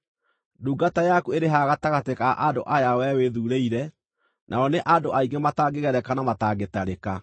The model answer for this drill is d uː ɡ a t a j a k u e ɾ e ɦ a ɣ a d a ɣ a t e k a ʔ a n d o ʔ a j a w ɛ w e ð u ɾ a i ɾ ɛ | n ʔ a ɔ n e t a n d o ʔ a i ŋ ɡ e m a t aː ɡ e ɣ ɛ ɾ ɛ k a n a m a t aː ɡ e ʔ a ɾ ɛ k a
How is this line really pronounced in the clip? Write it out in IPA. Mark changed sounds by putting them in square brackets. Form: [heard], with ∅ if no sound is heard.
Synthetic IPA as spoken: d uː ɡ a t a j a k u e ɾ e ɦ a ɣ a [t] a ɣ a t e k a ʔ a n d o ʔ a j a w ɛ w e ð u ɾ [e] i ɾ ɛ | n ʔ a ɔ n e [ʔ] a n d o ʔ a i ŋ ɡ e m a t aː ɡ e ɣ ɛ ɾ ɛ k a n a m a t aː ɡ e [t] a ɾ [e] k a